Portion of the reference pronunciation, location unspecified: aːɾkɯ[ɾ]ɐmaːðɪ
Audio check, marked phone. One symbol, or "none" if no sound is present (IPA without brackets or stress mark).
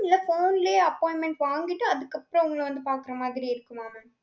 ɾ